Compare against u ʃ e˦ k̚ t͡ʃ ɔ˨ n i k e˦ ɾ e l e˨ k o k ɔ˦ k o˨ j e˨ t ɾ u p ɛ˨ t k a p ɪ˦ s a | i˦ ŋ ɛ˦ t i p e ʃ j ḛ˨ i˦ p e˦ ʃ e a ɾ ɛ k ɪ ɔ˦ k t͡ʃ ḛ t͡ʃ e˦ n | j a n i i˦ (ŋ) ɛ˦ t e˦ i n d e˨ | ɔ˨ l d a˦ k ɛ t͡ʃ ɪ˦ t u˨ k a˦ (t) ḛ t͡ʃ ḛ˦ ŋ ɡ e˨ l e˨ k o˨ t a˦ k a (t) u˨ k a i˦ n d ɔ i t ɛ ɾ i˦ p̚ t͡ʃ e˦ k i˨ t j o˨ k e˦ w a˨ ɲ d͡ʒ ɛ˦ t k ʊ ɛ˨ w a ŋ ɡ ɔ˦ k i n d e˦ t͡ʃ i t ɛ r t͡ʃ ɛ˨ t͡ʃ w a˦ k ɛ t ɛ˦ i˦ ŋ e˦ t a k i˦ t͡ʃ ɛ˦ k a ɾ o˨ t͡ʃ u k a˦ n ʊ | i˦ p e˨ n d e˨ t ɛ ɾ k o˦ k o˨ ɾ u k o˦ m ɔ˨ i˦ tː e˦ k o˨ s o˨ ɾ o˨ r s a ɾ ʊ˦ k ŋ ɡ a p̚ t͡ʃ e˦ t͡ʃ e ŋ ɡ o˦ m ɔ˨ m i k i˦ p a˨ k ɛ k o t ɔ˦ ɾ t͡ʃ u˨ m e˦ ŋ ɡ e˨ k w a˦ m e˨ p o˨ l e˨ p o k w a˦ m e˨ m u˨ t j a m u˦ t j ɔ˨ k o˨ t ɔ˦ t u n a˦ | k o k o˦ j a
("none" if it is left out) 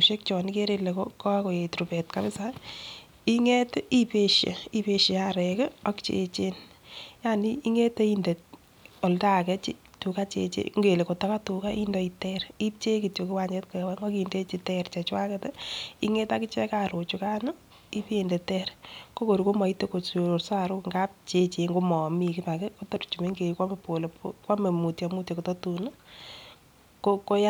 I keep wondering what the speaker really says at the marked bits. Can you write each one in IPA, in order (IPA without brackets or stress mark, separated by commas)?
ŋ, t͡ʃ, t